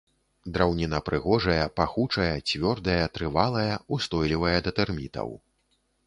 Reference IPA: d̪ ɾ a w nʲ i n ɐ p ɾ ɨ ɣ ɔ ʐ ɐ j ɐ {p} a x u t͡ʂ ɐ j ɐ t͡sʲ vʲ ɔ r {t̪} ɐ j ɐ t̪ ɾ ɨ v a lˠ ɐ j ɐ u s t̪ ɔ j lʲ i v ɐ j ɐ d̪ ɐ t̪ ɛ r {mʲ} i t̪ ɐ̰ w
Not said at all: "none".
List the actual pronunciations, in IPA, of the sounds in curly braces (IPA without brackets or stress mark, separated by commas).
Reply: p, d̪, mʲ